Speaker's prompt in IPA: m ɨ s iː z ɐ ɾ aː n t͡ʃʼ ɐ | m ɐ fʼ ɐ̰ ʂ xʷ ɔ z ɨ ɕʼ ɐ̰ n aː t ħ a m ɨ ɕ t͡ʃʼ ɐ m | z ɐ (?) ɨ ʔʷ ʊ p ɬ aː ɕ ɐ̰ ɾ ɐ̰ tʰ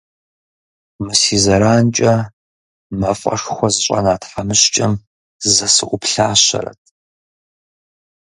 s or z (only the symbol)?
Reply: s